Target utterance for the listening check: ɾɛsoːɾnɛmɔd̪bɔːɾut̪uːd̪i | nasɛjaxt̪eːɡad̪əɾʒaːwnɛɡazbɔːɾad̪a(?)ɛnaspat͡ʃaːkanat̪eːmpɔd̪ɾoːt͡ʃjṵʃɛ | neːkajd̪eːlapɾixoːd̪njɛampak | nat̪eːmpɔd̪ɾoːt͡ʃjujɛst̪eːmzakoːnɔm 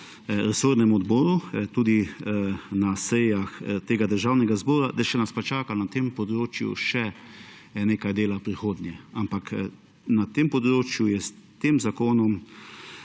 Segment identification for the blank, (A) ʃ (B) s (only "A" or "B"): A